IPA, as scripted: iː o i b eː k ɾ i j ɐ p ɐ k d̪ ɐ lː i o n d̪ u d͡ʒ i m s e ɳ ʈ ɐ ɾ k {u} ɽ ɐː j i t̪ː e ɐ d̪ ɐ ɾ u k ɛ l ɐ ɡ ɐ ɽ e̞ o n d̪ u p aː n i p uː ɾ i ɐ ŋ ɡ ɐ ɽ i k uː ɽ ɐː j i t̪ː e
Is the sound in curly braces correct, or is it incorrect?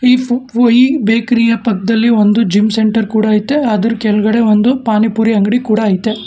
incorrect